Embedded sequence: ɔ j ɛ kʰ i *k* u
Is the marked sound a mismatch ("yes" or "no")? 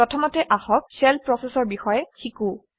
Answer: no